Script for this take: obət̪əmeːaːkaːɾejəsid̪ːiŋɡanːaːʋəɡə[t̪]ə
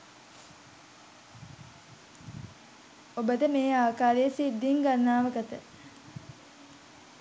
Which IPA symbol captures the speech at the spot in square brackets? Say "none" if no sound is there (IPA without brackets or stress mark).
t̪